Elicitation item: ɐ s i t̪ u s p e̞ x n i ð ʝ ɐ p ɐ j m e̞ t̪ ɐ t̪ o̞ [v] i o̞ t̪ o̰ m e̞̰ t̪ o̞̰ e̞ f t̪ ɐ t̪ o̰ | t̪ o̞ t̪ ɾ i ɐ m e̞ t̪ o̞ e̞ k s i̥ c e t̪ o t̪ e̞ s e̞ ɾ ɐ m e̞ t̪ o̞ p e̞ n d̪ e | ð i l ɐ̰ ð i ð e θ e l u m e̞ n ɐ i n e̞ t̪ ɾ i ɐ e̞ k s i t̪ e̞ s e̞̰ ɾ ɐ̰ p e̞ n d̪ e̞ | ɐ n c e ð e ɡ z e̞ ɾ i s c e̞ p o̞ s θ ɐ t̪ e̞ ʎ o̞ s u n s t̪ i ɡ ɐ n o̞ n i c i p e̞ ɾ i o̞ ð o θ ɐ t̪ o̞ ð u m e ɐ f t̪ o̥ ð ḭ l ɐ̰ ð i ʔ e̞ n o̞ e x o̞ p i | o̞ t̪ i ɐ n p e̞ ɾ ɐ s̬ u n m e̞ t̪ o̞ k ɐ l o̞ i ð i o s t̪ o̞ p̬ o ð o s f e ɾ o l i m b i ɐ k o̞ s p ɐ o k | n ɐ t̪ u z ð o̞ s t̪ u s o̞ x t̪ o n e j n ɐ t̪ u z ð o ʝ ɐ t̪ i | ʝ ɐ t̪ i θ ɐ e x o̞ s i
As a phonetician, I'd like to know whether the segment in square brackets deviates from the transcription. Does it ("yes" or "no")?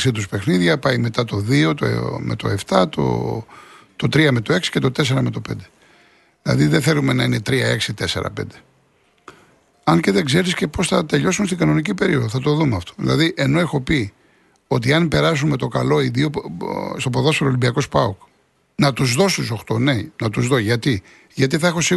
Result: yes